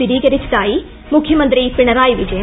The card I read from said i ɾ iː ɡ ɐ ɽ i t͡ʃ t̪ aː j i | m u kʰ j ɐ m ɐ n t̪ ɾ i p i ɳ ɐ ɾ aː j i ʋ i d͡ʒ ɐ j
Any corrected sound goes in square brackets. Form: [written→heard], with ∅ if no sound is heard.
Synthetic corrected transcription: i ɾ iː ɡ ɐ [ɽ→ɾ] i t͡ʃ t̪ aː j i | m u kʰ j ɐ m ɐ n t̪ ɾ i p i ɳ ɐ ɾ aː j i ʋ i d͡ʒ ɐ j

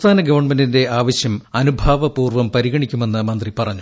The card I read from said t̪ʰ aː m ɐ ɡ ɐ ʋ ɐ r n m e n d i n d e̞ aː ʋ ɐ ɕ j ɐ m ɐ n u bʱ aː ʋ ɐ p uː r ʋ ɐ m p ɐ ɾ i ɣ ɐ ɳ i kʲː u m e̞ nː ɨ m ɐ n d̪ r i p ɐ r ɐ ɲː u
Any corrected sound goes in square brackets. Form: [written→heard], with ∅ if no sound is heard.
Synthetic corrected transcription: t̪ʰ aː [m→n] ɐ ɡ ɐ ʋ ɐ r [n→ɳ] m e n d i n d e̞ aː ʋ ɐ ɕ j ɐ m ɐ n u bʱ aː ʋ ɐ p uː r ʋ ɐ m p ɐ ɾ i ɣ ɐ ɳ i kʲː u m e̞ nː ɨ m ɐ n d̪ r i p ɐ r ɐ ɲː u

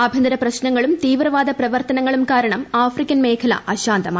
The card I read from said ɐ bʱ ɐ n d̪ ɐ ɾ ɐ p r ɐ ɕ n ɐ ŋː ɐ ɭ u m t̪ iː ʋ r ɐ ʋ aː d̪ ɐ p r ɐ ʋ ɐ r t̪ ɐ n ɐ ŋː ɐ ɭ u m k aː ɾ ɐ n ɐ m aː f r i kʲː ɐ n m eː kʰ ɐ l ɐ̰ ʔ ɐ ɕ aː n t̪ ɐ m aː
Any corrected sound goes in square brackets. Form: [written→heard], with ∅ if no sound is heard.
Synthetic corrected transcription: ɐ bʱ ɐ n d̪ ɐ ɾ ɐ p r ɐ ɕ n ɐ ŋː ɐ ɭ u m t̪ iː ʋ r ɐ ʋ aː d̪ ɐ p r ɐ ʋ ɐ r t̪ ɐ n ɐ ŋː ɐ ɭ u m k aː ɾ ɐ [n→ɳ] ɐ m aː f r i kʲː ɐ n m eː kʰ ɐ l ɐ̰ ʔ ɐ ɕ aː n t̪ ɐ m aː

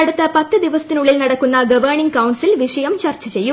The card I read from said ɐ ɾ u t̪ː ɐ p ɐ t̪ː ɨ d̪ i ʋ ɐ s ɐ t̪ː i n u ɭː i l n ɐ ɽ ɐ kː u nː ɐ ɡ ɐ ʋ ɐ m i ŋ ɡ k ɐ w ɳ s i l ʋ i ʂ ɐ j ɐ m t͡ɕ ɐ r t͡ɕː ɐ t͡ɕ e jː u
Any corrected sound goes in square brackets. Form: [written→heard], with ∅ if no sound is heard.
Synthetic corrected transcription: ɐ [ɾ→ɽ] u t̪ː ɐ p ɐ t̪ː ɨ d̪ i ʋ ɐ s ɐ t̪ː i n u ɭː i l n ɐ ɽ ɐ kː u nː ɐ ɡ ɐ ʋ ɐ [m→ɳ] i ŋ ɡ k ɐ w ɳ s i l ʋ i ʂ ɐ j ɐ m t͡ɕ ɐ r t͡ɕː ɐ t͡ɕ e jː u

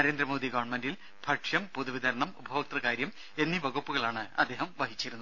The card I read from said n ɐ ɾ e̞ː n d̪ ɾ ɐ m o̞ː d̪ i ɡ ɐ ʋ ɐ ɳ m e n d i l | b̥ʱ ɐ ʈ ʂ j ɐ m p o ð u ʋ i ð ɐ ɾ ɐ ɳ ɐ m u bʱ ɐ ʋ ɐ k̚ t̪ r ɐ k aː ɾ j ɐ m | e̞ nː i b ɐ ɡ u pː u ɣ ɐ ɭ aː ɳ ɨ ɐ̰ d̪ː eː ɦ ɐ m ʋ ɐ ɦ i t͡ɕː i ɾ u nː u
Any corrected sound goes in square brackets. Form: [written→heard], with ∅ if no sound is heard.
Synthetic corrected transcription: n ɐ ɾ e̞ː n d̪ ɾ ɐ m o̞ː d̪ i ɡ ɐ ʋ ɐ ɳ m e n d i l | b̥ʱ ɐ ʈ ʂ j ɐ m p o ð u ʋ i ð ɐ ɾ ɐ ɳ ɐ m u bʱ ɐ ʋ ɐ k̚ t̪ r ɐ k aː ɾ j ɐ m | e̞ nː i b ɐ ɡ u pː u ɣ ɐ ɭ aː ɳ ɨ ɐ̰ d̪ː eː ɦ ɐ m ʋ ɐ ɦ i t͡ɕː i ɾ u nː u

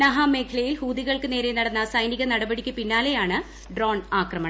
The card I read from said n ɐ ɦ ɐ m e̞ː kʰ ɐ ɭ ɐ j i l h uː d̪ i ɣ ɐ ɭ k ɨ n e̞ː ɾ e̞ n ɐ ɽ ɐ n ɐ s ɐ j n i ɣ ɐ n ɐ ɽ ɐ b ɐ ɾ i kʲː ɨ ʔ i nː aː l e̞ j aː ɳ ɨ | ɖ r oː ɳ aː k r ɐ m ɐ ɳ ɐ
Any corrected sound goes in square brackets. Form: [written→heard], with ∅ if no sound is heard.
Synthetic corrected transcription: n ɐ ɦ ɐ m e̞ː kʰ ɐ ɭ ɐ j i l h uː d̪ i ɣ ɐ ɭ k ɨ n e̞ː ɾ e̞ n ɐ ɽ ɐ [n→nː] ɐ s ɐ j n i ɣ ɐ n ɐ ɽ ɐ b ɐ [ɾ→ɽ] i kʲː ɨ [ʔ→p] i nː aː l e̞ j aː ɳ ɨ | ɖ r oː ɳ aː k r ɐ m ɐ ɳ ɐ

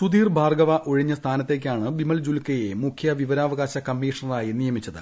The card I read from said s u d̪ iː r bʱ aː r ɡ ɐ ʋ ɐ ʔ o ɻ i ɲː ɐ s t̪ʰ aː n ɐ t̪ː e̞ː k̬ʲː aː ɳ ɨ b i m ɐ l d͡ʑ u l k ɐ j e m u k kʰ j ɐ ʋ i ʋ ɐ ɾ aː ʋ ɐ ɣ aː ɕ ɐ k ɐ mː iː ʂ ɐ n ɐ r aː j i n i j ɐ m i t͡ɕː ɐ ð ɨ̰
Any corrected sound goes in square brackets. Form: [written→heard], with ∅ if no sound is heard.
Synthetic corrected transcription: s u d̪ iː r bʱ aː r ɡ ɐ ʋ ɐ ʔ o ɻ i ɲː ɐ s t̪ʰ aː n ɐ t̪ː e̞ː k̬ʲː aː ɳ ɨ b i m ɐ l d͡ʑ u l k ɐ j e m u k kʰ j ɐ ʋ i ʋ ɐ ɾ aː ʋ ɐ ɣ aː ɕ ɐ k ɐ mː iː ʂ ɐ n ɐ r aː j i n i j ɐ m i t͡ɕː ɐ ð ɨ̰

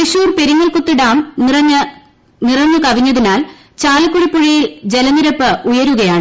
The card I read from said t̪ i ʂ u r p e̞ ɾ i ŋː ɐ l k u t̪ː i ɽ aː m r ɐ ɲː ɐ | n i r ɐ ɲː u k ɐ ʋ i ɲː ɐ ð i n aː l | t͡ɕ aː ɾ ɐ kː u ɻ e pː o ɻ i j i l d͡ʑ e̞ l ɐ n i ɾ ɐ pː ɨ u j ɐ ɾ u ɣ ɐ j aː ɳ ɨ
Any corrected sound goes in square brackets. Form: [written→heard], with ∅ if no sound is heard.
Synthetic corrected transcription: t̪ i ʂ [u→uː] r p e̞ ɾ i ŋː ɐ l k u t̪ː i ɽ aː m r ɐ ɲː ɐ | n i r ɐ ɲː u k ɐ ʋ i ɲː ɐ ð i n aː l | t͡ɕ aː [ɾ→l] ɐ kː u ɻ [e→i] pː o ɻ i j i l d͡ʑ e̞ l ɐ n i ɾ ɐ pː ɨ u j ɐ ɾ u ɣ ɐ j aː ɳ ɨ

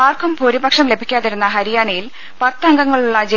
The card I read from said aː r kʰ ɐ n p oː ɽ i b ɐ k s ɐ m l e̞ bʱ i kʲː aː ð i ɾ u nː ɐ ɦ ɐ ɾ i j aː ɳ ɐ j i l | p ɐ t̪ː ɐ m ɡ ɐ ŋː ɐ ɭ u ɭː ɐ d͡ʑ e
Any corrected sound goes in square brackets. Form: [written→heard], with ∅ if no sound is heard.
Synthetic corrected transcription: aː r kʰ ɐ [n→m] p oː [ɽ→ɾ] i b ɐ k [s→ʂ] ɐ m l e̞ bʱ i kʲː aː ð i ɾ u nː ɐ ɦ ɐ ɾ i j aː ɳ ɐ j i l | p ɐ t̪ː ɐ [m→ŋ] ɡ ɐ ŋː ɐ ɭ u ɭː ɐ d͡ʑ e

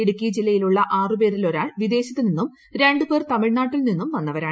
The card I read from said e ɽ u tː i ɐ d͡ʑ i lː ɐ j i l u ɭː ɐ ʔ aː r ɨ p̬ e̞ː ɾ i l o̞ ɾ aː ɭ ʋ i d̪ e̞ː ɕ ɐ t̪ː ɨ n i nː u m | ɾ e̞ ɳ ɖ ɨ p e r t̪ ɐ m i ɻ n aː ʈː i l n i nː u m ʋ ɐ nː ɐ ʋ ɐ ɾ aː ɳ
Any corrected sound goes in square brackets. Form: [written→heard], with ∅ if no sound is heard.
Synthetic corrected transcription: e ɽ u [tː→kː] i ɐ d͡ʑ i lː ɐ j i l u ɭː ɐ ʔ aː r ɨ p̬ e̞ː ɾ i l o̞ ɾ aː ɭ ʋ i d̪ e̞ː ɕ ɐ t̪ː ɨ n i nː u m | ɾ e̞ ɳ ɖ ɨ p e r t̪ ɐ m i ɻ n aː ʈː i l n i nː u m ʋ ɐ nː ɐ ʋ ɐ ɾ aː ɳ

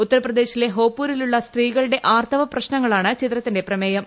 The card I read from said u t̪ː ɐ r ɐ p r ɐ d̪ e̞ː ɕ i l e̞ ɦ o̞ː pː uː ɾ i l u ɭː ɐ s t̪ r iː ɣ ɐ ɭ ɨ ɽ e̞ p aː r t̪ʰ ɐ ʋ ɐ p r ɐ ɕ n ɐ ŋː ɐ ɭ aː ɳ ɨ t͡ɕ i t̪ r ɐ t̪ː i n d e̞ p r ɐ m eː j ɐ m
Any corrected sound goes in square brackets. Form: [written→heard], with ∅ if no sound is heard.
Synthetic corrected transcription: u t̪ː ɐ [r→ɾ] ɐ p r ɐ d̪ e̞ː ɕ i l e̞ ɦ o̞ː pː uː ɾ i l u ɭː ɐ s t̪ r iː ɣ ɐ ɭ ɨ ɽ e̞ [p→ʔ] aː r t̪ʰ ɐ ʋ ɐ p r ɐ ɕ n ɐ ŋː ɐ ɭ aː ɳ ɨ t͡ɕ i t̪ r ɐ t̪ː i n d e̞ p r ɐ m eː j ɐ m

